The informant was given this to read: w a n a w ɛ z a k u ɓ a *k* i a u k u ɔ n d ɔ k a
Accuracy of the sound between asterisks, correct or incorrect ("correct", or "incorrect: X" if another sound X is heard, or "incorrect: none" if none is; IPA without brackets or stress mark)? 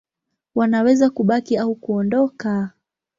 correct